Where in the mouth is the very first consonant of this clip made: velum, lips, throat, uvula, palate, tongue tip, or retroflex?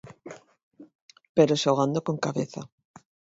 lips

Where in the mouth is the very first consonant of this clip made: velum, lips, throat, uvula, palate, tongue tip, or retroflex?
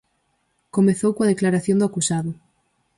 velum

